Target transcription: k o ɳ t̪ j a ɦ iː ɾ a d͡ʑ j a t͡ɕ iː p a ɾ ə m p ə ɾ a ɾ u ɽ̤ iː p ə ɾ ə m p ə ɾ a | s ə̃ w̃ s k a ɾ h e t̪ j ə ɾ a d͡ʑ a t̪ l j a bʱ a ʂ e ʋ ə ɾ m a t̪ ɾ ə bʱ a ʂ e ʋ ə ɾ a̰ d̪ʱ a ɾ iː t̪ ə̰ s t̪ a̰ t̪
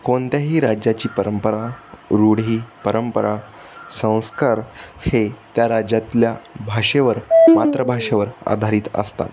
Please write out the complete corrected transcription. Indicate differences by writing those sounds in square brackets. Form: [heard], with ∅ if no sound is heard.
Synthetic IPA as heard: k o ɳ t̪ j a ɦ iː ɾ a d͡ʑ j a t͡ɕ iː p [ə] ɾ ə m p ə ɾ a ɾ u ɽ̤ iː p ə ɾ ə m p ə ɾ a | s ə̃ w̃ s k a ɾ h e t̪ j [a] ɾ a d͡ʑ a t̪ l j a bʱ a ʂ e ʋ ə ɾ m a t̪ ɾ ə bʱ a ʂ e ʋ ə ɾ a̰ d̪ʱ a ɾ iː t̪ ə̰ s t̪ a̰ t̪

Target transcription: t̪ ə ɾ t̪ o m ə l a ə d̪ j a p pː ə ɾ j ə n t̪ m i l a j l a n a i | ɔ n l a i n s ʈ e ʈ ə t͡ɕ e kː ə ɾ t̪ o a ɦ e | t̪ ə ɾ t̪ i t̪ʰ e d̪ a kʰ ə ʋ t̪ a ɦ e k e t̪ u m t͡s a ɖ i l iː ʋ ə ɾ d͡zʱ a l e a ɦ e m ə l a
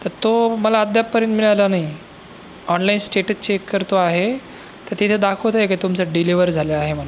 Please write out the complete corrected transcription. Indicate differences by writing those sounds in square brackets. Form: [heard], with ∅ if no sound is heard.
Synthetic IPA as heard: t̪ ə ɾ t̪ o m ə l a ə d̪ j a p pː ə ɾ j ə n t̪ m i [ɭ] a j l a n a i | ɔ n l a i n s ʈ e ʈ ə t͡ɕ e kː ə ɾ t̪ o a ɦ e | t̪ ə ɾ t̪ i t̪ʰ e d̪ a kʰ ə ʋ t̪ a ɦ e k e t̪ u m t͡s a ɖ i l [i] ʋ ə ɾ d͡zʱ a l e a ɦ e m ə l a

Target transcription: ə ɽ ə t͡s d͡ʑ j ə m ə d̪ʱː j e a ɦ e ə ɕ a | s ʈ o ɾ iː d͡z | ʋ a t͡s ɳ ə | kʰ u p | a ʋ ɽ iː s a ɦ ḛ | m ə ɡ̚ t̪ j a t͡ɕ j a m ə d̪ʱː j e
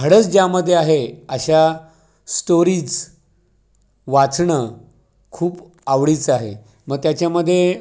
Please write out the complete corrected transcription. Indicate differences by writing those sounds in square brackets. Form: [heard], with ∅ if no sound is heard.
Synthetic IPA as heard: ə ɽ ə t͡s d͡ʑ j [a] m ə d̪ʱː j e a ɦ e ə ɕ a | s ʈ o ɾ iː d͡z | ʋ a t͡s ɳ ə | kʰ [uː] p | a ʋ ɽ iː [t͡s] a ɦ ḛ | m ə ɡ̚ t̪ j a t͡ɕ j a m ə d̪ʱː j e

